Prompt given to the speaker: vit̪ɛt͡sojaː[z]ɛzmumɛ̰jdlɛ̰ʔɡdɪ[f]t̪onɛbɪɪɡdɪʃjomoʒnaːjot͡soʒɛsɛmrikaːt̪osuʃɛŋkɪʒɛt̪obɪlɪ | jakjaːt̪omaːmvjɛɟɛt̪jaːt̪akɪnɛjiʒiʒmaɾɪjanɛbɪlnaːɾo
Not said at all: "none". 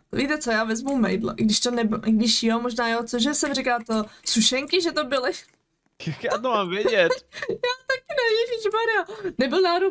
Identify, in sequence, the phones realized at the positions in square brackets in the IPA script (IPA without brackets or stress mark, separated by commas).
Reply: v, ʃ